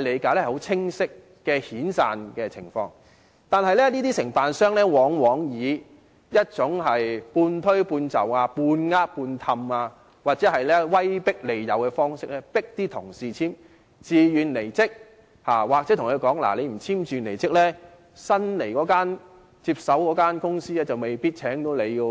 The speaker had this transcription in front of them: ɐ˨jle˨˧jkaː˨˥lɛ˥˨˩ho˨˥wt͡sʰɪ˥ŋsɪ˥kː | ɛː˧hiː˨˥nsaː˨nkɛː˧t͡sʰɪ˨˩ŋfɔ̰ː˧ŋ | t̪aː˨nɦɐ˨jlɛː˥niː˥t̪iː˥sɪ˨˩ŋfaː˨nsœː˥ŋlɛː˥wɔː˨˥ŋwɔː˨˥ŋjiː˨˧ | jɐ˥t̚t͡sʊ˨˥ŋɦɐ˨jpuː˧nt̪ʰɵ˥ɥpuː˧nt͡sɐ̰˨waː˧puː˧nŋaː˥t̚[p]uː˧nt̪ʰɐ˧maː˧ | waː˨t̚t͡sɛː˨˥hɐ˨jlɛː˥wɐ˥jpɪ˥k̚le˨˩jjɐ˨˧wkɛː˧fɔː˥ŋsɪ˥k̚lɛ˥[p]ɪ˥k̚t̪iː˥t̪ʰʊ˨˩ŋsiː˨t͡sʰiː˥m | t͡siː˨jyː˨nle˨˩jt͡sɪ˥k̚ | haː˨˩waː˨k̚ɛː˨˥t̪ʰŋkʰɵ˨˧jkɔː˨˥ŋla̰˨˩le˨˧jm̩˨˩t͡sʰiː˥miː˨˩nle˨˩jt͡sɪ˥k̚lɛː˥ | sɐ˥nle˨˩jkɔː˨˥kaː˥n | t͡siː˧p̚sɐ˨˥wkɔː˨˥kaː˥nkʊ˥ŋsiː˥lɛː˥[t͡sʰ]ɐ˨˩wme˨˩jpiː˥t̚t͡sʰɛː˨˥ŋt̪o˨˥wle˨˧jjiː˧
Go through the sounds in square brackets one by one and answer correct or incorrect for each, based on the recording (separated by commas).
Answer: correct, correct, incorrect